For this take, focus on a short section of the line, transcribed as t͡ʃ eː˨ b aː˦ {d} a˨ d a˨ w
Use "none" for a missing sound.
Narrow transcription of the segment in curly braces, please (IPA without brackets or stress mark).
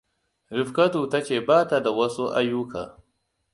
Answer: t